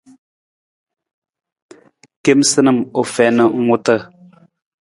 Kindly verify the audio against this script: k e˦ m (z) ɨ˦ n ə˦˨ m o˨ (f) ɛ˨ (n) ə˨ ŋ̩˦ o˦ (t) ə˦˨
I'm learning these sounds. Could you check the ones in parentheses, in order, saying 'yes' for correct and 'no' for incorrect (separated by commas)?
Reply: no, yes, yes, yes